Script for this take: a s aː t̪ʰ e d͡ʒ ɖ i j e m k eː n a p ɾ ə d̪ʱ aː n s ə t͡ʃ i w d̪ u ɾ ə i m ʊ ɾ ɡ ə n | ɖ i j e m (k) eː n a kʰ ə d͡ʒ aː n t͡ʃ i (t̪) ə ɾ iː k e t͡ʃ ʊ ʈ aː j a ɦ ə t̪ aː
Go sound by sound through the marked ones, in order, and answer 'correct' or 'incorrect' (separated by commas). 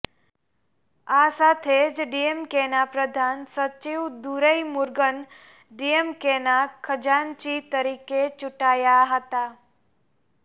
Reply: correct, correct